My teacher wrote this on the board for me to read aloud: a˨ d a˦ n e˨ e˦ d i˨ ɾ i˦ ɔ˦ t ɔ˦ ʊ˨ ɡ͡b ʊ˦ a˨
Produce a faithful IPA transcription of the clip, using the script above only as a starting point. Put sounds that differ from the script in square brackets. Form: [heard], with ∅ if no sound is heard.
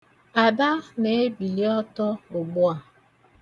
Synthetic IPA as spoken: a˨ d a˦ n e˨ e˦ [b] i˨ [l] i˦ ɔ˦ t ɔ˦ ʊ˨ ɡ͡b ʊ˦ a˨